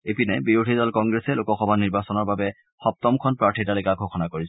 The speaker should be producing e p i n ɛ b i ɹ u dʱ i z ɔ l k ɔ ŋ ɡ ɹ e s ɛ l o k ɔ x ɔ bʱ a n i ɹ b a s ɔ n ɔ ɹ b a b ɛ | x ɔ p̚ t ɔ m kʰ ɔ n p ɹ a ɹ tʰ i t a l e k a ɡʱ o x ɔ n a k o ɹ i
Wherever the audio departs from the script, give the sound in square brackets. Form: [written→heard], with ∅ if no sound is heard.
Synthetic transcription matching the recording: e p i n ɛ b i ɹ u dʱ i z ɔ l k ɔ ŋ ɡ ɹ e s ɛ l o k ɔ x ɔ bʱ a n i ɹ b a s ɔ n ɔ ɹ b a b ɛ | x ɔ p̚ t ɔ m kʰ ɔ n p ɹ a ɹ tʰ i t a l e k a ɡʱ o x ɔ n a k o ɹ i